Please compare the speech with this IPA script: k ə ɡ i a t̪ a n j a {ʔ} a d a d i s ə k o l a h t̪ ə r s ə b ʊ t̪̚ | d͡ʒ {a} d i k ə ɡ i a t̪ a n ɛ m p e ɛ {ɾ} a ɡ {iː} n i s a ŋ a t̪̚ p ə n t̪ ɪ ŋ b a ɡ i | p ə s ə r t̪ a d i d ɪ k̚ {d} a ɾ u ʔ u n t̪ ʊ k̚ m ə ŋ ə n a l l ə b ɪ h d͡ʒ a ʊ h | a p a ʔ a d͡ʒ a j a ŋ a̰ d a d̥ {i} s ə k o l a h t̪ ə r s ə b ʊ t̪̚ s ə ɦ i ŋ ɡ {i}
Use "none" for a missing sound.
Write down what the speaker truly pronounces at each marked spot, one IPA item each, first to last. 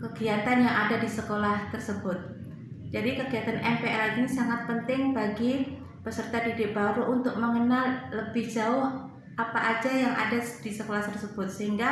ʔ, a, l, i, b, i, a

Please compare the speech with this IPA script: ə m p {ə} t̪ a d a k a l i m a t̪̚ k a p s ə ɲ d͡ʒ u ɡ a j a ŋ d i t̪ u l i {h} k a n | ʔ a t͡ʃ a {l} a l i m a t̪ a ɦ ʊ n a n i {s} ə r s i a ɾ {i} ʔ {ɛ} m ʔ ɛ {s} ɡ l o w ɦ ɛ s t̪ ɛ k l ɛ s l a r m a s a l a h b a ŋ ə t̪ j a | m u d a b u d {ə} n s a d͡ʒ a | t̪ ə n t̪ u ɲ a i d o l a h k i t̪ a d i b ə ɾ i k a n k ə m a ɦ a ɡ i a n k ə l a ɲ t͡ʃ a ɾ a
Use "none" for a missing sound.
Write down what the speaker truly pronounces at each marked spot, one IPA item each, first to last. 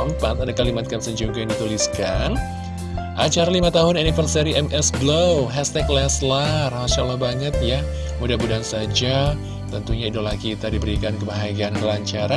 a, s, ɾ, f, i, ɛ, s, a

